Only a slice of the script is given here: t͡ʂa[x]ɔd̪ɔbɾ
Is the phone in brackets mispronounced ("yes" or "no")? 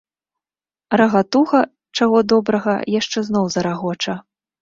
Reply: yes